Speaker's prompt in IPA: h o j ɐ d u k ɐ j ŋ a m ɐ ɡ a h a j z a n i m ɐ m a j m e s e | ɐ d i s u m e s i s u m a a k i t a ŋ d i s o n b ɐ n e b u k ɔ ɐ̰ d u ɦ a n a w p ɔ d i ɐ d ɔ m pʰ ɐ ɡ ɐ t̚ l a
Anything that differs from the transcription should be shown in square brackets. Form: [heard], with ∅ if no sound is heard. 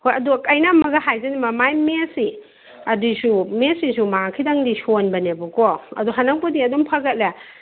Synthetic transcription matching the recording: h o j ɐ d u k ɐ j [n] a m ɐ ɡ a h a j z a n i m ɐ m a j m e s [i] | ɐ d i s u m e s i s u m a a [kʰ] i [d] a ŋ d i s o n b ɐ n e b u k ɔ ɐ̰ d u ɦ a n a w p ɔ d i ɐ d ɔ m pʰ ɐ ɡ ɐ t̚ l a